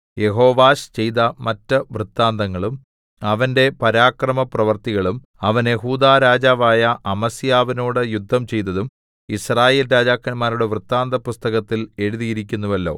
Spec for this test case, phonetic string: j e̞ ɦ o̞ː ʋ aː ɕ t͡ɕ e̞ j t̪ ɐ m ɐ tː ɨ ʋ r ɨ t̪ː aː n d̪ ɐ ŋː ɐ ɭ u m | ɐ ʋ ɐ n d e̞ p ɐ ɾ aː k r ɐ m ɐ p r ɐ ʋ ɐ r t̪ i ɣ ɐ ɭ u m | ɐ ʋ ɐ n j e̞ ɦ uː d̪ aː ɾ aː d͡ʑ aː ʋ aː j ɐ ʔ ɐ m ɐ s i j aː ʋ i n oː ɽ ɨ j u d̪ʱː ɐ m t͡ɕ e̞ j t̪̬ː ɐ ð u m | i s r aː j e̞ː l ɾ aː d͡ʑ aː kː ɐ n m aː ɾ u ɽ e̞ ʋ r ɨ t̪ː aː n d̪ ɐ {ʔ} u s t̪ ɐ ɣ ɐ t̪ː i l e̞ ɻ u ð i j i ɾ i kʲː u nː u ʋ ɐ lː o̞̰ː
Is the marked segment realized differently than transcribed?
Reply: yes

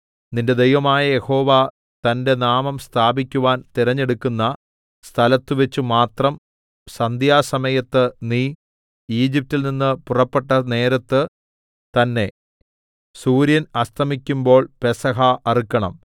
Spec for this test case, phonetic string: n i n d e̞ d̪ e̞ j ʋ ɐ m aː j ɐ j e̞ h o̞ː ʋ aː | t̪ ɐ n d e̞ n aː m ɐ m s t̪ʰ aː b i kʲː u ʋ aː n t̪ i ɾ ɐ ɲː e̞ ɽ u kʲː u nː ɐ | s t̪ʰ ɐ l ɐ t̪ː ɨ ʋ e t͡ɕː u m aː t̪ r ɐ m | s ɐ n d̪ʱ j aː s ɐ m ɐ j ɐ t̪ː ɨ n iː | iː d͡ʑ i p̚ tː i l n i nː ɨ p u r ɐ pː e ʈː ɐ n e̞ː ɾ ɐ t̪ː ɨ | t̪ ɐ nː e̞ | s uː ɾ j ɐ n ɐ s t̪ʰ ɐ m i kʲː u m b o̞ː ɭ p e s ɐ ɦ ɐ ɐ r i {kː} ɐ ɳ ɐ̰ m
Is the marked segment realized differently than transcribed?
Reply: no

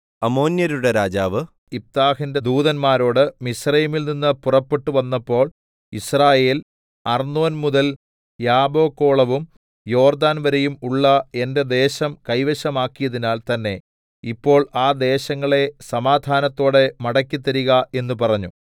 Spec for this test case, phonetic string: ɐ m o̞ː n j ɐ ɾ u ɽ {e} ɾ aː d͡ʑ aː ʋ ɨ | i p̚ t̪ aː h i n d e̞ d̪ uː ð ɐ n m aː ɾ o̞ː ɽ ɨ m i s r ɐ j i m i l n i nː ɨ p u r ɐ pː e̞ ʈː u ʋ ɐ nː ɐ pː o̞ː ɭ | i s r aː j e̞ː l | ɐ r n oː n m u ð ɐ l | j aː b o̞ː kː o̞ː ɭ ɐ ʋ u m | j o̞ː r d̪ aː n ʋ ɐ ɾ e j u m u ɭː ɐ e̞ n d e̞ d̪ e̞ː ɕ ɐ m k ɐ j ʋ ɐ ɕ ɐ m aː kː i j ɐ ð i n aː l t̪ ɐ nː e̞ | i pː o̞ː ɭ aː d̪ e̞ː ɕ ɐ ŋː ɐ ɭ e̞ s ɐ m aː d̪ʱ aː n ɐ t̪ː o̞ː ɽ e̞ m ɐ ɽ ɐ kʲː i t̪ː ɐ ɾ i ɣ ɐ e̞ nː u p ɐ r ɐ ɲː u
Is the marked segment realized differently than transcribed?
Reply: no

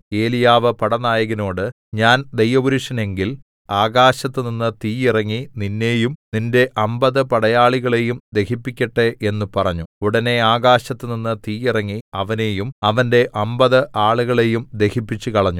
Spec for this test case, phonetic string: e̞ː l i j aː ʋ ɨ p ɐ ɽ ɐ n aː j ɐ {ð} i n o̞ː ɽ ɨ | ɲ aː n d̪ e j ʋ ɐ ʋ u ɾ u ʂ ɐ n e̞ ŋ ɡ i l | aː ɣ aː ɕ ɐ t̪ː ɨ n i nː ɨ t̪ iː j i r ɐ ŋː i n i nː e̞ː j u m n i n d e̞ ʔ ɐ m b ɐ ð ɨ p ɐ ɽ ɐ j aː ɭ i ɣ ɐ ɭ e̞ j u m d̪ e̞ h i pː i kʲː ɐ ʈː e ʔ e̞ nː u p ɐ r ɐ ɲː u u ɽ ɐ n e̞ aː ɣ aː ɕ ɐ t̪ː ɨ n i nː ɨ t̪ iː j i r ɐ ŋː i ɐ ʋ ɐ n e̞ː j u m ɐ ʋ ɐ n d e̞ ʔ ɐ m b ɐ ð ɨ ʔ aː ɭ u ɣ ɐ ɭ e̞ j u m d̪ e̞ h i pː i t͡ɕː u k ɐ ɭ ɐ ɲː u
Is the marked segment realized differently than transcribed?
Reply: yes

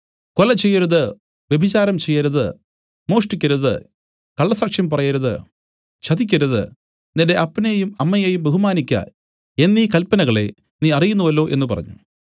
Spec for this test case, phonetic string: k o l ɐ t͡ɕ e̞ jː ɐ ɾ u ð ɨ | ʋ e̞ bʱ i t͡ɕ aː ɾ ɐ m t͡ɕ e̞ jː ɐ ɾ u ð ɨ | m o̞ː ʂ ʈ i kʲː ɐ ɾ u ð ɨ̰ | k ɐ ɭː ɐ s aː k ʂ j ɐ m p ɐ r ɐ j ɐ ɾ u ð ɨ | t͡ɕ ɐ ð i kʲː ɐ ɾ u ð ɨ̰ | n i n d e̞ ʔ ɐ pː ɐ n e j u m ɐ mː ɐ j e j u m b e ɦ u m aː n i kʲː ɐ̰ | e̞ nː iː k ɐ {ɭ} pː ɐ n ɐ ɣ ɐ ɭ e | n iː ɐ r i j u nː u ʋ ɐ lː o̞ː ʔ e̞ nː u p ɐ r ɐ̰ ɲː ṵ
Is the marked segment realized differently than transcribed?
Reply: yes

